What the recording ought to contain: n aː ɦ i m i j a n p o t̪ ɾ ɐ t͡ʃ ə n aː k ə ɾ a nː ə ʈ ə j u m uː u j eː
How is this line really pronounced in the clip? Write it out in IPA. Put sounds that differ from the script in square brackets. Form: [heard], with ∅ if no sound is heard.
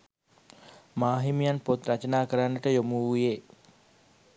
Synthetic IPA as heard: [m] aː ɦ i m i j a n p o t̪ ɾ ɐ t͡ʃ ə n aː k ə ɾ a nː ə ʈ ə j [o] m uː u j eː